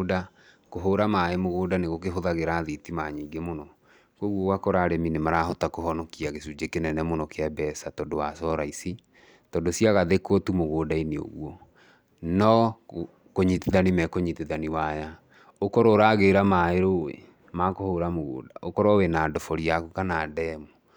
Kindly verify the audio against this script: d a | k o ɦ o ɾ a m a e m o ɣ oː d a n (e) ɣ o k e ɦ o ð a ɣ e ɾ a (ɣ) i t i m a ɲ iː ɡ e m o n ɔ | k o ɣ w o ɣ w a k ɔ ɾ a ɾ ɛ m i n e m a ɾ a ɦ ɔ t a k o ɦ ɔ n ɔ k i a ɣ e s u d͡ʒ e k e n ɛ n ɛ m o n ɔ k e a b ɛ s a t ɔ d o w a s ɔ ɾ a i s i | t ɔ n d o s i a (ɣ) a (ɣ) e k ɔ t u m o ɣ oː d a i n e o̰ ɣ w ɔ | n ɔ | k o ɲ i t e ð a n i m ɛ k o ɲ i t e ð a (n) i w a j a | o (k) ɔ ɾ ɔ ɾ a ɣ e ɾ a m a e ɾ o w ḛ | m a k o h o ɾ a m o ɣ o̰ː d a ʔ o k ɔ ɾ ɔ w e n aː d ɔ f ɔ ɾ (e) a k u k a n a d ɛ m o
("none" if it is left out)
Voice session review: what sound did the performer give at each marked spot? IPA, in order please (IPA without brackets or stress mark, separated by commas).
e, ð, ɣ, ð, n, k, i